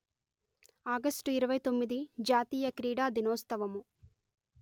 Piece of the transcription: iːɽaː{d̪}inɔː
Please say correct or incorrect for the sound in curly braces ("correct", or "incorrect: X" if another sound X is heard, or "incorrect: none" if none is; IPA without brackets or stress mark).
correct